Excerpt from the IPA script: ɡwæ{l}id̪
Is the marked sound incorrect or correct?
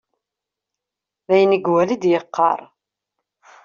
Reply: correct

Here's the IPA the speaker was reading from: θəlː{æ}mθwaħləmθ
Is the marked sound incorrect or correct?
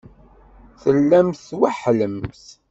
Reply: correct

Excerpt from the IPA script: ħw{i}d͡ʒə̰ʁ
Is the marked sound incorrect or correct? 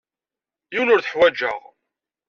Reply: incorrect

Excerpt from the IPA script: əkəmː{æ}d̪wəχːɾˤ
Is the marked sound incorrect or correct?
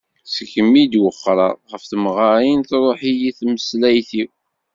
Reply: incorrect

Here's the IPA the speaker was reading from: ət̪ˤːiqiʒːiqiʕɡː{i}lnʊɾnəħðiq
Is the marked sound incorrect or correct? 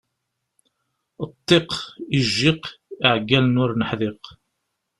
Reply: incorrect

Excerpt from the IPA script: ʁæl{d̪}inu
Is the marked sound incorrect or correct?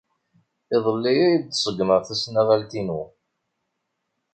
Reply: incorrect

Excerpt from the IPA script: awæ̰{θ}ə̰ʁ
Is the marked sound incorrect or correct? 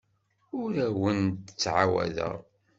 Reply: incorrect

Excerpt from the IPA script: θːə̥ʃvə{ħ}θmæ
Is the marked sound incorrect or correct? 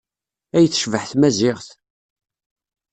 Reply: correct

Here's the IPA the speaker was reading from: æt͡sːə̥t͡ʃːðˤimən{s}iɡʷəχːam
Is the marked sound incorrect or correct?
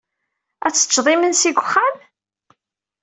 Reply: correct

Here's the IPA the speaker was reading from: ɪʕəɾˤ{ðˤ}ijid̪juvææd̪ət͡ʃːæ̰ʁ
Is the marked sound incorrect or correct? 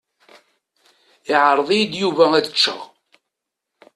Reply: correct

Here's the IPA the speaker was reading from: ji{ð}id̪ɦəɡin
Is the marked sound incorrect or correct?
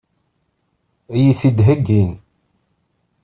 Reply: incorrect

